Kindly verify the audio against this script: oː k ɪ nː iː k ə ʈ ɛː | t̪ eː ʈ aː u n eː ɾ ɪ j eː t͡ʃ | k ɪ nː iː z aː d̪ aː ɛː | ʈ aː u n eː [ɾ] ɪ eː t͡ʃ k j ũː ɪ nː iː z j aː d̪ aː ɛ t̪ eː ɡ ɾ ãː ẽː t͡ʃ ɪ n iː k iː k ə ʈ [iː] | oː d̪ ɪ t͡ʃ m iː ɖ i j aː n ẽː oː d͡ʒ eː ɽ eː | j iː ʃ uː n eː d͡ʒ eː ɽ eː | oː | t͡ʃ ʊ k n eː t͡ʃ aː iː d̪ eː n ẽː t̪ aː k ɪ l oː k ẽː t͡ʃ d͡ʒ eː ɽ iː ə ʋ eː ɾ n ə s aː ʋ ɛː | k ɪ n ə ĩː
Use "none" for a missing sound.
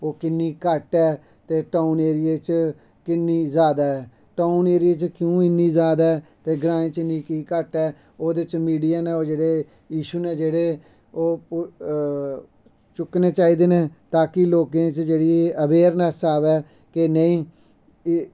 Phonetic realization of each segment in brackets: ɾ, ɛː

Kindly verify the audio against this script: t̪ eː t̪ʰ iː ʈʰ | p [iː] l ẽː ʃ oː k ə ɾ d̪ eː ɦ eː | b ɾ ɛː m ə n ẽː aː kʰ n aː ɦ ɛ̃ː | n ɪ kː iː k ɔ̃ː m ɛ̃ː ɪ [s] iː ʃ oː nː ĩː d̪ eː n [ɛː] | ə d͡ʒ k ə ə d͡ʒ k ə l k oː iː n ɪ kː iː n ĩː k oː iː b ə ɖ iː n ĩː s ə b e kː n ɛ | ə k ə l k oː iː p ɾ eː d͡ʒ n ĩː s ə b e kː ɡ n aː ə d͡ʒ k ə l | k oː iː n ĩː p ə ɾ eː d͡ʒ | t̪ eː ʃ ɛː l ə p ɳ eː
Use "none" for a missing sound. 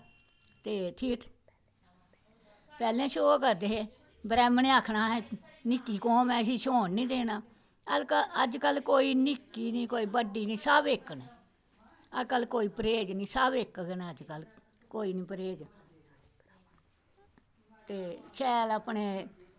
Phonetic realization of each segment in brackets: ɛː, s, aː

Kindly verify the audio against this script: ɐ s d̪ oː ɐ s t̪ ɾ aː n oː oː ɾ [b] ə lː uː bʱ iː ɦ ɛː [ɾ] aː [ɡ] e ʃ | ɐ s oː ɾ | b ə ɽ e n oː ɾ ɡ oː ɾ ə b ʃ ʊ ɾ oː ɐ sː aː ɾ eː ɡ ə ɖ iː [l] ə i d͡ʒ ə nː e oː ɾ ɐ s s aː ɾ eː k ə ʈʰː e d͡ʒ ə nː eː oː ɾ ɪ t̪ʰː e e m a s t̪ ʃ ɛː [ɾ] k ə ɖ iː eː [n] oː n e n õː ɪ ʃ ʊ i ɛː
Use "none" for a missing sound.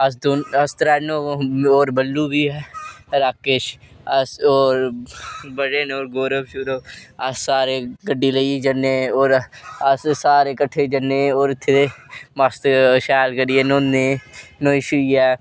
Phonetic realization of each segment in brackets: b, ɾ, k, l, l, n

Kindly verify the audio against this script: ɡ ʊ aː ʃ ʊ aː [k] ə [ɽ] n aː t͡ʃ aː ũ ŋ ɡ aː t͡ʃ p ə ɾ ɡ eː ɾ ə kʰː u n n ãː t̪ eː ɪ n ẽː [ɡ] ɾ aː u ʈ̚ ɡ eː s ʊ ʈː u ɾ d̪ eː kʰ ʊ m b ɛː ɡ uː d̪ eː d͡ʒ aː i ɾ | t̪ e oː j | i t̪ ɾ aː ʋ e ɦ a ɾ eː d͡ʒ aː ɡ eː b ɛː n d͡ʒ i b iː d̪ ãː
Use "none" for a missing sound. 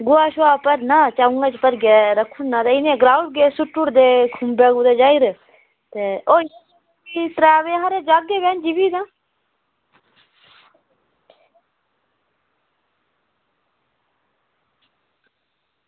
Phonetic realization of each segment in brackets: p, ɾ, ɡ

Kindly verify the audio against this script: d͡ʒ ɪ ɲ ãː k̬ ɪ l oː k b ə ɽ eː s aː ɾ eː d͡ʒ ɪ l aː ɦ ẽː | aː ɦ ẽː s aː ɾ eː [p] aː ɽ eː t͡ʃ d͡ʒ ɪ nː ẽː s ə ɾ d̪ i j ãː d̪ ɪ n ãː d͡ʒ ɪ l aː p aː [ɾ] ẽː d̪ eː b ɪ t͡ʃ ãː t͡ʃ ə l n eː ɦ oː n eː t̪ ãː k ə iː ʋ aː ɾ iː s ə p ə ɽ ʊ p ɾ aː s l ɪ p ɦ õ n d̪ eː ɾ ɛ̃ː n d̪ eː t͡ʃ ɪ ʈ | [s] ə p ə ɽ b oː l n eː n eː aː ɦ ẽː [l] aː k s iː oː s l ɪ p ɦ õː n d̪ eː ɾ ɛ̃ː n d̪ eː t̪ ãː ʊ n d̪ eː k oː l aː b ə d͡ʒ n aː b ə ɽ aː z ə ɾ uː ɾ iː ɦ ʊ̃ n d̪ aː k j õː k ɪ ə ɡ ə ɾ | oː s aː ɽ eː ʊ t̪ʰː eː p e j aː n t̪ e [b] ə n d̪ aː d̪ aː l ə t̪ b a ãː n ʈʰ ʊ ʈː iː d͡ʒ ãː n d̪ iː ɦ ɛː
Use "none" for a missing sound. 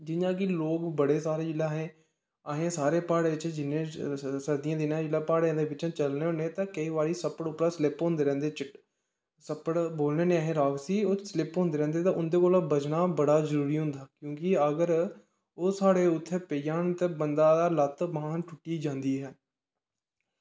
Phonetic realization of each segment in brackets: p, ɽ, s, ɾ, b

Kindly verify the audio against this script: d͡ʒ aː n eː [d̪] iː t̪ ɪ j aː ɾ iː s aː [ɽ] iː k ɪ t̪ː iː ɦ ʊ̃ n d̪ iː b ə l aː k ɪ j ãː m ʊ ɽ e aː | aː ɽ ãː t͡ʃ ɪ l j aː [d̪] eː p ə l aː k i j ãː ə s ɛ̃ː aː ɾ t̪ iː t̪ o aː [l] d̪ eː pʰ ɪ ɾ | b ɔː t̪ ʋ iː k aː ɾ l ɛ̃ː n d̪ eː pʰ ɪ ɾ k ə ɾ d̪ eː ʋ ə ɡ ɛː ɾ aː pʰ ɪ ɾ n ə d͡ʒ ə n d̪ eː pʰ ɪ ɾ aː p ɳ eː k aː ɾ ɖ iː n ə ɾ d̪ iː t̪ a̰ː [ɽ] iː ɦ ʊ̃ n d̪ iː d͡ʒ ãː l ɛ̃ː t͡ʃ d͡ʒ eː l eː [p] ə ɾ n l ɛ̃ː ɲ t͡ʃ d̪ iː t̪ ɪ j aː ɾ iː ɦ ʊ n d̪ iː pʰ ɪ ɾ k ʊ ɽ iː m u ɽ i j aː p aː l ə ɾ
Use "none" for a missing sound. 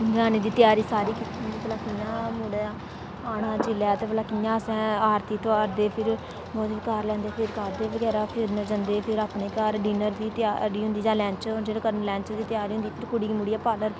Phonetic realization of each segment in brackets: d̪, ɾ, t̪, ɾ, ɾ, k

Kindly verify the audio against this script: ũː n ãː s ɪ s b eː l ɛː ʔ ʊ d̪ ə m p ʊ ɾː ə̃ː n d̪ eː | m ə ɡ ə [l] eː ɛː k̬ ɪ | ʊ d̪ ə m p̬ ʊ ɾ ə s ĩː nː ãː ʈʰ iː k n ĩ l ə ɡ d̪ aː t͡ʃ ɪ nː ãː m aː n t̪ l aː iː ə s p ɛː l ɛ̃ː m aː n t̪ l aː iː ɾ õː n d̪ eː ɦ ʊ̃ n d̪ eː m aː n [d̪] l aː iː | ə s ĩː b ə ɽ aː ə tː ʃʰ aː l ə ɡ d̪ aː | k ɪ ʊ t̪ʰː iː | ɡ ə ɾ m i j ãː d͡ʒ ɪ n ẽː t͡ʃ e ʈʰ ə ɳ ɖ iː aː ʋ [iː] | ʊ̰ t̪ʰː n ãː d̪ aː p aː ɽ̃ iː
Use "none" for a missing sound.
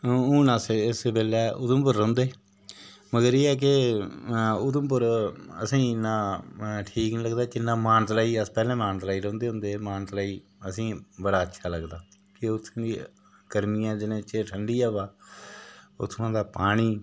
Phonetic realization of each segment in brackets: ɾ, t̪, aː

